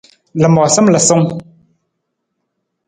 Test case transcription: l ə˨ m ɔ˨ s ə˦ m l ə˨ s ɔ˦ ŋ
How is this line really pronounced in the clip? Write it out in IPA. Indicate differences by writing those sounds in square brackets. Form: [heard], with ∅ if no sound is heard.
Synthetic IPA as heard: l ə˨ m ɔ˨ s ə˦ m l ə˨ s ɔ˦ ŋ